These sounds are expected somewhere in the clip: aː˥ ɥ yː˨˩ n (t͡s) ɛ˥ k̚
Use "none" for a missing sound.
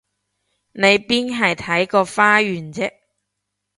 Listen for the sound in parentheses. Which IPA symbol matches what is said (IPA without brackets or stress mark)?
t͡s